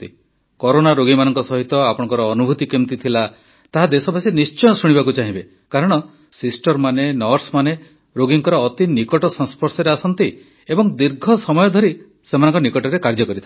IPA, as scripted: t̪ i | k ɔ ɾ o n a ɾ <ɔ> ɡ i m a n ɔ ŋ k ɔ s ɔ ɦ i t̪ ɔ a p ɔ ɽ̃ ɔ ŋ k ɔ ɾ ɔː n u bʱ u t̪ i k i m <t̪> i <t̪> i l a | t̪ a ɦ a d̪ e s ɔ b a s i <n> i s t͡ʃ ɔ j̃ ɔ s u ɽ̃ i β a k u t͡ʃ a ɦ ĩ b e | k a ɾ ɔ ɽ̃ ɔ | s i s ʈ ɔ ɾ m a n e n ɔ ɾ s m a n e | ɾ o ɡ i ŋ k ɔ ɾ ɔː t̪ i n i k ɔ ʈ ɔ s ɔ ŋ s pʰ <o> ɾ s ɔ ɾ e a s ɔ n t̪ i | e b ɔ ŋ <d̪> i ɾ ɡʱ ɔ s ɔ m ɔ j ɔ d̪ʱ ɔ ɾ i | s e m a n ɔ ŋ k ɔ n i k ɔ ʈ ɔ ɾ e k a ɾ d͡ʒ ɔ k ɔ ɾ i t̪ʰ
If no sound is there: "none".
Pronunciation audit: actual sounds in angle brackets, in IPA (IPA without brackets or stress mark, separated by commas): o, t̪, t̪ʰ, n, ɔ, d̪